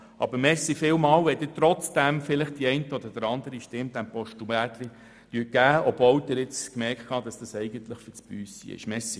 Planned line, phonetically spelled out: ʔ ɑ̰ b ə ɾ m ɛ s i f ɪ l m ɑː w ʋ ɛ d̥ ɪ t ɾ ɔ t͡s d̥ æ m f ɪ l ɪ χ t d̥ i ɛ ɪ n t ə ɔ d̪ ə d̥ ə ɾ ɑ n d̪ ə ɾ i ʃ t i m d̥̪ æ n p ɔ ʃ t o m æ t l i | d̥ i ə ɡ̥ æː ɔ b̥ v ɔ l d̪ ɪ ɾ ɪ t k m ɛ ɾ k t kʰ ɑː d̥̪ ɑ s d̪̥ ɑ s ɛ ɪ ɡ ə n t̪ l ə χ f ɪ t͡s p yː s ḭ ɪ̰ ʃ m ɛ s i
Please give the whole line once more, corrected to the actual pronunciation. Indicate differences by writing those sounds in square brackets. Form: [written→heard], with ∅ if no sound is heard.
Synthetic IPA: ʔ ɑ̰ b ə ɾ m ɛ s i f ɪ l m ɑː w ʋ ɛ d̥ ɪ t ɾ ɔ t͡s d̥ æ m f ɪ l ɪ χ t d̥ i ɛ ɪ n t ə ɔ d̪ ə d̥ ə ɾ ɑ n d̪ ə ɾ i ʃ t [i→ɪ] m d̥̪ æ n p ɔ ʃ t [o→u] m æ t l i | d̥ [i→y] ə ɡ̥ æː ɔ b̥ v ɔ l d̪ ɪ ɾ ɪ [t→t͡s] k m ɛ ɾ k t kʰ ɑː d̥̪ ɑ s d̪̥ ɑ s ɛ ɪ ɡ ə n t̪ l ə χ f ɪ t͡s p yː s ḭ ɪ̰ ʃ m ɛ s i